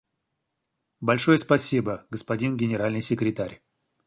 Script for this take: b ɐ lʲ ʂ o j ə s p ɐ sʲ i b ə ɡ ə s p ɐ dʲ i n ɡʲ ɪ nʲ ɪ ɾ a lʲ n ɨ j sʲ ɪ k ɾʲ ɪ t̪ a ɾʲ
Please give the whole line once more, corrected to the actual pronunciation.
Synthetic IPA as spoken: b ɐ lʲ ʂ o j ə s p ɐ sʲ i b ə ɡ ə s p ɐ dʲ i n ɡʲ ɪ nʲ ɪ ɾ a lʲ n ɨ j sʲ ɪ k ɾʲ ɪ t̪ a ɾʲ